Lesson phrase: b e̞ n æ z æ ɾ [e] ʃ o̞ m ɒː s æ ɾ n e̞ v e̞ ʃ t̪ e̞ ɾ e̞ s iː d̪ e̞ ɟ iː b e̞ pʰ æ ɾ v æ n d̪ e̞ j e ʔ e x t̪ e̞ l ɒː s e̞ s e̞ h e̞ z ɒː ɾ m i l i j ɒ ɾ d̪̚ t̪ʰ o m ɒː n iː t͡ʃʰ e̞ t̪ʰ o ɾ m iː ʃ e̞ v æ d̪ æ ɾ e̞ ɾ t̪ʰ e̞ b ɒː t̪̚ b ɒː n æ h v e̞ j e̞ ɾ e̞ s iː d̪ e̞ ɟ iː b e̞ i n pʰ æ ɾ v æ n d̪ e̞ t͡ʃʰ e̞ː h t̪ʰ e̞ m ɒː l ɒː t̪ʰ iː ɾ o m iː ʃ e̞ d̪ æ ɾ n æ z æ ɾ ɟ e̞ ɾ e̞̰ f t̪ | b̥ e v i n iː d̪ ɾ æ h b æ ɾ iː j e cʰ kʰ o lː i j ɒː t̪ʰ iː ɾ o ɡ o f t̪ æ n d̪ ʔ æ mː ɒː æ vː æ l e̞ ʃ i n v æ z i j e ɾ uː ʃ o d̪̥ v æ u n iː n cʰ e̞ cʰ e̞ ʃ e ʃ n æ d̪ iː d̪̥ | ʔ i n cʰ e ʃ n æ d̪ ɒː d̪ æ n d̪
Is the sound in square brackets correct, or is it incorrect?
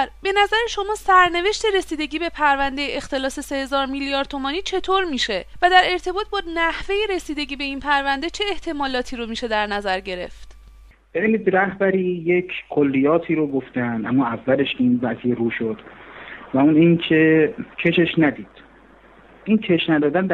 correct